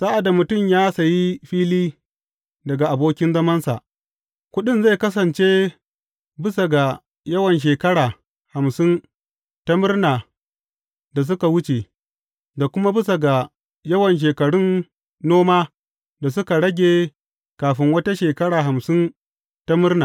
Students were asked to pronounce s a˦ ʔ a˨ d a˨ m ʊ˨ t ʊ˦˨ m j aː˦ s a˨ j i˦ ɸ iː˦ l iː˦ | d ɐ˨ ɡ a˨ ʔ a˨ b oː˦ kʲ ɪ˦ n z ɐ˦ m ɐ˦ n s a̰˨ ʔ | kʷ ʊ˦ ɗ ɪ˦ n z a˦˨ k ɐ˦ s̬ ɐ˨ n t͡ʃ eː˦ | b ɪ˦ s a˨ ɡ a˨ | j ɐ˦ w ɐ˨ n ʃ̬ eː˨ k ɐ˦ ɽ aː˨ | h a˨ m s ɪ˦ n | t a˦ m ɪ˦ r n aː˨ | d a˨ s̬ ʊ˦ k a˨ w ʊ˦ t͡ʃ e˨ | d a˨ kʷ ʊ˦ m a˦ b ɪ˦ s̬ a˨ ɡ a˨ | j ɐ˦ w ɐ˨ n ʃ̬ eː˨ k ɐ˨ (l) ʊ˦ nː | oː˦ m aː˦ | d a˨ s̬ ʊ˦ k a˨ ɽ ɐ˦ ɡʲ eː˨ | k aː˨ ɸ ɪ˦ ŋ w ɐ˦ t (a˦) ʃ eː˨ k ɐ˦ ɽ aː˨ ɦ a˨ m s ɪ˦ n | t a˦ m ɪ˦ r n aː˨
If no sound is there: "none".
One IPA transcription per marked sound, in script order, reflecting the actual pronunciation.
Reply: ɽ, a˦

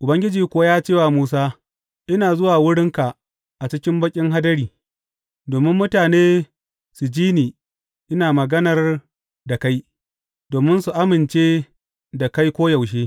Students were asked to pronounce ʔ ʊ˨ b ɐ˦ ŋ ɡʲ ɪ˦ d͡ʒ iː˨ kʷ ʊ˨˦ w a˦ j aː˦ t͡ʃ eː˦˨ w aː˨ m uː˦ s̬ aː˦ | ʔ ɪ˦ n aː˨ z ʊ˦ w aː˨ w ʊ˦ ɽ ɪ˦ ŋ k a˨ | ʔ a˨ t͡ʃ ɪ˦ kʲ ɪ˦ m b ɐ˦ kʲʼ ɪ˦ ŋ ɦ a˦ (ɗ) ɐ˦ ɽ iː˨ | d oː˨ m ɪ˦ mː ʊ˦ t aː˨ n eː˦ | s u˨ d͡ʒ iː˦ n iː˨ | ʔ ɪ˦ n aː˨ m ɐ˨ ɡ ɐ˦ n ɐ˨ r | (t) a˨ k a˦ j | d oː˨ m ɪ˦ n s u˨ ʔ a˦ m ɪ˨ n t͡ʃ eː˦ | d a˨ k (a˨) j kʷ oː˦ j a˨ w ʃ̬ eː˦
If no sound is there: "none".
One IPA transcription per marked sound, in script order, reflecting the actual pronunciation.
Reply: d, d, a˦

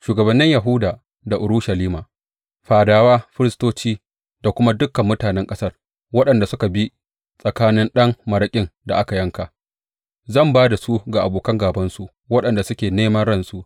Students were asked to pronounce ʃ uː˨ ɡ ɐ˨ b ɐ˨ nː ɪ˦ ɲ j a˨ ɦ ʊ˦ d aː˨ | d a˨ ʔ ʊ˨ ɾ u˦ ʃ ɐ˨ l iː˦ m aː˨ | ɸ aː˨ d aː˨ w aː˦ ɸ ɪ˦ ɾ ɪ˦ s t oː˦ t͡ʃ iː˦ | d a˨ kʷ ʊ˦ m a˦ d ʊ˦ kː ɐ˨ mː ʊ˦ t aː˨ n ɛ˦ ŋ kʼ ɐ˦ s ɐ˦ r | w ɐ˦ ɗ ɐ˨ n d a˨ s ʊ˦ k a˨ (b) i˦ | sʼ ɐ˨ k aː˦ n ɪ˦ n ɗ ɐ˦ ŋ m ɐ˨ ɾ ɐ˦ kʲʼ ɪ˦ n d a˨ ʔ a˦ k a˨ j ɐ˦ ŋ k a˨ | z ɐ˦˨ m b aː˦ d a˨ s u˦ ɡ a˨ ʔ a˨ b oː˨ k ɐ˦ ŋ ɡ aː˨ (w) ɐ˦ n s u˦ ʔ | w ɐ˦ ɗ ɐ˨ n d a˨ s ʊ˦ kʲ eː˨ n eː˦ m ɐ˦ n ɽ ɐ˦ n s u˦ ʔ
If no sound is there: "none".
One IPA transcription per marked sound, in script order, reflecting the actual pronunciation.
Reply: b, b

